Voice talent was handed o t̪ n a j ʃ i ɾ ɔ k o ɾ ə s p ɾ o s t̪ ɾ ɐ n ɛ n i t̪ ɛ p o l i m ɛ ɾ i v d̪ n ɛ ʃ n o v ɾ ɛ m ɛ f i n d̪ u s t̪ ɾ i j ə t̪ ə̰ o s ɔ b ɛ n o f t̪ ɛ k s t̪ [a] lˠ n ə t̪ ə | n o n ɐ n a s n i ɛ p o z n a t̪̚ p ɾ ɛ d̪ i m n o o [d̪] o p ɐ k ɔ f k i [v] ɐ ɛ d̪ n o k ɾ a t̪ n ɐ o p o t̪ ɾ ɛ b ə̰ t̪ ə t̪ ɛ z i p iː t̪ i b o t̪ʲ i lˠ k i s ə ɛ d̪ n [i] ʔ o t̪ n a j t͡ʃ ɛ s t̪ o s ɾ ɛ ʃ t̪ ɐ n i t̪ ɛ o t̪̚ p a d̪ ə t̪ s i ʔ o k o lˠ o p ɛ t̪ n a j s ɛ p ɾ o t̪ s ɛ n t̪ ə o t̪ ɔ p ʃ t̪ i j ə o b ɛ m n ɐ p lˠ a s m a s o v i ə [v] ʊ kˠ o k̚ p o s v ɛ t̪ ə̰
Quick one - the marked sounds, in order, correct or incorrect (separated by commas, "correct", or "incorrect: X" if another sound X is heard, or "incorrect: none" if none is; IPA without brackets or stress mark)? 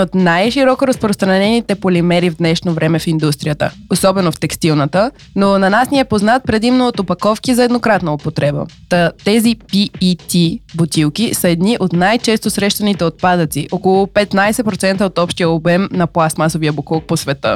incorrect: i, incorrect: t̪, incorrect: z, correct, incorrect: b